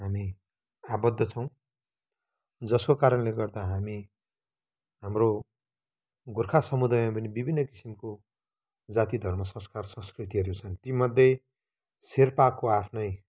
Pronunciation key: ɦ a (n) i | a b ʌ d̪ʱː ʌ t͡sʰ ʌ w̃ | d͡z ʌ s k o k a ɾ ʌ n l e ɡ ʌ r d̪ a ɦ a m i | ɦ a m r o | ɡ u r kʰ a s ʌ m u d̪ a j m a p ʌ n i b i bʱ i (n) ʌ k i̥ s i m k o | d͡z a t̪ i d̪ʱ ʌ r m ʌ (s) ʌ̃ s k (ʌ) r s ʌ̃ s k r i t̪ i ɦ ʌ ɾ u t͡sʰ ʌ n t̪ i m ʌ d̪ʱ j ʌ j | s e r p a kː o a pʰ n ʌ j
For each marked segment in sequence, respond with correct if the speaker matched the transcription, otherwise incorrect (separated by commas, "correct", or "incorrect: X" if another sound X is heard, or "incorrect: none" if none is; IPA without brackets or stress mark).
incorrect: m, incorrect: nː, correct, incorrect: a